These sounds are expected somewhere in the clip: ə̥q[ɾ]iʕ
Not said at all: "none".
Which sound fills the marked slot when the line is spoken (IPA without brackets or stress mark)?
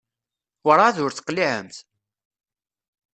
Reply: l